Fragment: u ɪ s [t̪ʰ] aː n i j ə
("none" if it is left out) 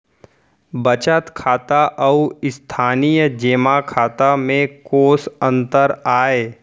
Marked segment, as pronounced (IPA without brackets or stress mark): t̪ʰ